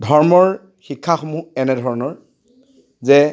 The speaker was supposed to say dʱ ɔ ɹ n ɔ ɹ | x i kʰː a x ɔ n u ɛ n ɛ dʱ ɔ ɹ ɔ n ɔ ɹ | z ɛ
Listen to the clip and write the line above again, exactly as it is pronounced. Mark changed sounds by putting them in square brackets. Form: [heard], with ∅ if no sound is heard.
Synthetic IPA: dʱ ɔ ɹ [m] ɔ ɹ | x i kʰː a x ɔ [m] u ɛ n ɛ dʱ ɔ ɹ ɔ n ɔ ɹ | z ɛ